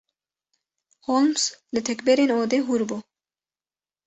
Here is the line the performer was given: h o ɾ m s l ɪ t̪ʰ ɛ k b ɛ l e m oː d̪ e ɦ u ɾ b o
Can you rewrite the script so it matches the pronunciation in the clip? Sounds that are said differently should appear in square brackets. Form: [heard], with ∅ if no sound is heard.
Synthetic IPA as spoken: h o [l] m s l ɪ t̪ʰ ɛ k b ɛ [ɾ] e [n] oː d̪ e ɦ u ɾ b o